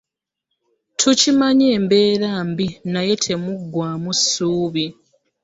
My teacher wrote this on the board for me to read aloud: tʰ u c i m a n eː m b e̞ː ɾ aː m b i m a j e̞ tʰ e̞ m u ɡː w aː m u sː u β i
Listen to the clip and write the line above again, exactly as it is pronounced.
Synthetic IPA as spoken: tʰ u c i m a ɲ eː m b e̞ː ɾ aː m b i n a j e̞ tʰ e̞ m u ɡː w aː m u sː uː β i